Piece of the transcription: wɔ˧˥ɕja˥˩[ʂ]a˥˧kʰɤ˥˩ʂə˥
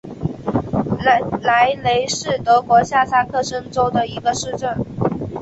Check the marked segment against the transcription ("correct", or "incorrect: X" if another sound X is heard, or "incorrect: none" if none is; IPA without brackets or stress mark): incorrect: s